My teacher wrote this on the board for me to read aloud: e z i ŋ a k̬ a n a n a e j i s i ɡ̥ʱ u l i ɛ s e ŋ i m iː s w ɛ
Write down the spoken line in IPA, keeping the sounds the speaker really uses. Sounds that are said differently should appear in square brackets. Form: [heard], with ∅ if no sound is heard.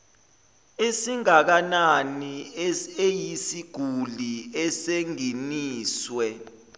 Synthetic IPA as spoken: e [s] i ŋ a k̬ a n a n [i] e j i s i ɡ̥ʱ u l i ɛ s e ŋ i [n] iː s w ɛ